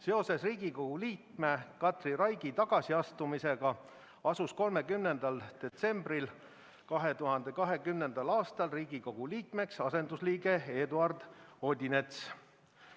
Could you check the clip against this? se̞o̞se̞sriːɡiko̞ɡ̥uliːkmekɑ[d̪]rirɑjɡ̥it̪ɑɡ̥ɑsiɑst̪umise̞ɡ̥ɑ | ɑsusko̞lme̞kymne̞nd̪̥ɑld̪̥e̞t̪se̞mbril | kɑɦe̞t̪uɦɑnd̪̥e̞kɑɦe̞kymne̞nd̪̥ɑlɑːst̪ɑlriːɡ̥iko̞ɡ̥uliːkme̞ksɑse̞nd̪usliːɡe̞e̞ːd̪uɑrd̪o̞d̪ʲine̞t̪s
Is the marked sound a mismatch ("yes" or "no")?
yes